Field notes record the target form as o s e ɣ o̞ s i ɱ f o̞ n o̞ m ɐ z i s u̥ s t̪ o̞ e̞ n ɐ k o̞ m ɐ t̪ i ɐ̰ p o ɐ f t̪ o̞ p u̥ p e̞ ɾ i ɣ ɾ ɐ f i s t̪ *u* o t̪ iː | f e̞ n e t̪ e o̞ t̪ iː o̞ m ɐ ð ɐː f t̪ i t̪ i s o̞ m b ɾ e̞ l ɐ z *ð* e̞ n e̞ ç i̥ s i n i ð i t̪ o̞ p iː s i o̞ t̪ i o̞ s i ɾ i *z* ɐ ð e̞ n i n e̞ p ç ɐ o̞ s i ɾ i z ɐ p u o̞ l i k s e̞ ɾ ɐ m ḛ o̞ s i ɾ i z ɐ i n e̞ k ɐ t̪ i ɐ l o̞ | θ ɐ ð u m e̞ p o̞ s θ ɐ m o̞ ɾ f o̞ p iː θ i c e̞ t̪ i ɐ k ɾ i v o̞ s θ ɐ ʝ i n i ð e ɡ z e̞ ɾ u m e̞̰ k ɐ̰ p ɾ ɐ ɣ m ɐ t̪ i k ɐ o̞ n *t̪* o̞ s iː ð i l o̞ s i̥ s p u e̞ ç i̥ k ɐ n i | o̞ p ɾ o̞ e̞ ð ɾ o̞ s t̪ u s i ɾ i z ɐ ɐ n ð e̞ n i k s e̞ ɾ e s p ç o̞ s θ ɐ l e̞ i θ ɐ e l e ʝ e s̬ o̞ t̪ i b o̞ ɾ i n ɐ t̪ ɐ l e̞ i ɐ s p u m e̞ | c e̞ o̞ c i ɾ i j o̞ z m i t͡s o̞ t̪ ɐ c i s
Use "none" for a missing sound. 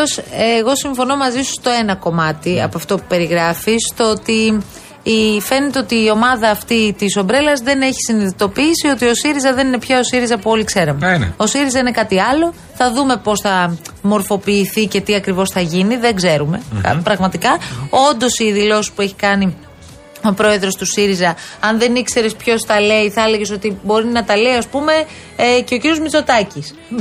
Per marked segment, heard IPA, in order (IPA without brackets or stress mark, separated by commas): o, ð, z, d̪